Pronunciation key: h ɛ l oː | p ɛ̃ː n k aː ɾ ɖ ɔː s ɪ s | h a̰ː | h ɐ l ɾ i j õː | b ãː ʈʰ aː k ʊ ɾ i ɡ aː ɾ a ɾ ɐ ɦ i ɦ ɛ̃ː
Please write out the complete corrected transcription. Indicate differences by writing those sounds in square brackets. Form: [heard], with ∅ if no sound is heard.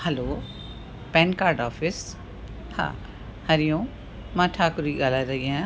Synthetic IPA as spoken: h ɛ l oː | p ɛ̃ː n k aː ɾ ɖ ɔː [f] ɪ s | h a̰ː | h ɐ [∅] ɾ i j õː | [m] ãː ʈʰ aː k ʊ ɾ i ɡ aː [l] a ɾ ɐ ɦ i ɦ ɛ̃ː